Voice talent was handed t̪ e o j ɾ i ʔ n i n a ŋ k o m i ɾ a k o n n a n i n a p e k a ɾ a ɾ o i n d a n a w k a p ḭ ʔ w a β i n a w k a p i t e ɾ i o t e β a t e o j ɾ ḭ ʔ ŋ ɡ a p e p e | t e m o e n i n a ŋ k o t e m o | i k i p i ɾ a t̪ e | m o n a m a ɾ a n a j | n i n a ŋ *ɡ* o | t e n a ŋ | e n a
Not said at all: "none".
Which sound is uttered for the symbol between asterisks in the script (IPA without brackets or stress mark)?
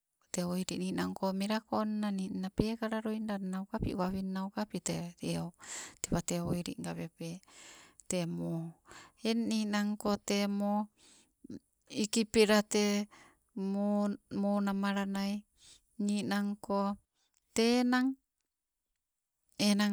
k